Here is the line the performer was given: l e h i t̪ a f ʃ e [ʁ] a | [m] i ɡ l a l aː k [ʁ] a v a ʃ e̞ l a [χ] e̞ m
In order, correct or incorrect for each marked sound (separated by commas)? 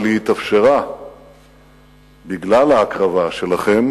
correct, incorrect, correct, correct